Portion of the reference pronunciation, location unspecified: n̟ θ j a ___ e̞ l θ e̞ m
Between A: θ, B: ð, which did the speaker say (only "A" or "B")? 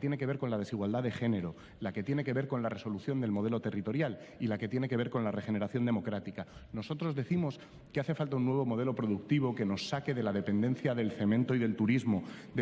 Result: B